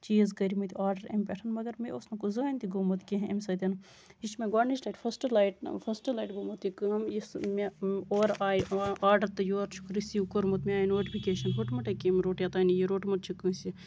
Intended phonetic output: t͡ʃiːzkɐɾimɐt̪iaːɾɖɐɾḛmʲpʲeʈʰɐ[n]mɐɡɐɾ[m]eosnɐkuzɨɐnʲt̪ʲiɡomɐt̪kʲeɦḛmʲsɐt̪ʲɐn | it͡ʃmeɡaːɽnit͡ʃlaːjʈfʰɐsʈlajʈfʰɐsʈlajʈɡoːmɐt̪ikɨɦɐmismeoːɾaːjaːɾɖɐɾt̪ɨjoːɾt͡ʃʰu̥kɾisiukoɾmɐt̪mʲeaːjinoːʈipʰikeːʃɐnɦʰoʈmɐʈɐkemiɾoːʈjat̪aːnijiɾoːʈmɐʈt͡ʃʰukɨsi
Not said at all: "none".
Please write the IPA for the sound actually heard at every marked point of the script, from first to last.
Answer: n, m

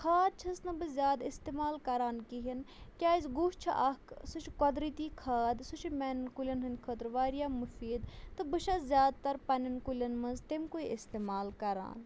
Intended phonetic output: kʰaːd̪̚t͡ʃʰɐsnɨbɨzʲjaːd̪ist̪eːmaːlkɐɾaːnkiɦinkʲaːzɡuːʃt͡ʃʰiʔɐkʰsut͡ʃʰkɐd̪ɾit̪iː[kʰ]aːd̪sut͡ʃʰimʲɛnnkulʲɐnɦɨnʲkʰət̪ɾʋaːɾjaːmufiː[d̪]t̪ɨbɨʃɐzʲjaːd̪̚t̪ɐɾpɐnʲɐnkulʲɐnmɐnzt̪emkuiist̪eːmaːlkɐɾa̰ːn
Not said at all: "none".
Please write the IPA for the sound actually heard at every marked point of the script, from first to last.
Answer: kʰ, d̪

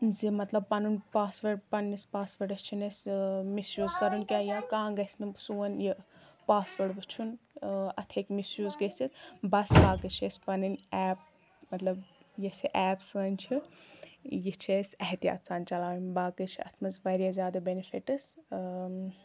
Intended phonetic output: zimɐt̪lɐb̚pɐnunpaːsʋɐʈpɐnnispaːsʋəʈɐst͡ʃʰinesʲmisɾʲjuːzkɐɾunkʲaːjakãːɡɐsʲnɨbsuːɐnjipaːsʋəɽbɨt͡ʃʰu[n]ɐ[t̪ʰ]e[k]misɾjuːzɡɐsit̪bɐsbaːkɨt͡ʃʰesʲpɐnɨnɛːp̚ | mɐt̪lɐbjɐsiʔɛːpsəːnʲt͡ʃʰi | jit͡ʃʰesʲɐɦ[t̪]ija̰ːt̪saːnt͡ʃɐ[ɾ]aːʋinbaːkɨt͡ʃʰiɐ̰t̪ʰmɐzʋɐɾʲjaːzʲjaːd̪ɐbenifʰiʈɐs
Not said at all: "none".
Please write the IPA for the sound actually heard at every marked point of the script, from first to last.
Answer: n, t̪ʰ, k, t̪, l

